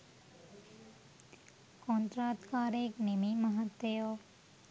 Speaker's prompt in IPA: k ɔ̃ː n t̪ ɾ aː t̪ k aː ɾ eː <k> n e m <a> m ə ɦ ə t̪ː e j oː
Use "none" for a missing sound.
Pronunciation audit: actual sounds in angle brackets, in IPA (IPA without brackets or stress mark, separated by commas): k, i